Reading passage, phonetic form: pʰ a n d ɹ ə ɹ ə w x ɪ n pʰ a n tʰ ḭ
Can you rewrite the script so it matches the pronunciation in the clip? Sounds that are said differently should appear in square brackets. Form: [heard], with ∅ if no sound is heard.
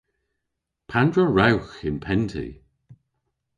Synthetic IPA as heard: pʰ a n d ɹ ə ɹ [a] w x ɪ n pʰ [ɛ] n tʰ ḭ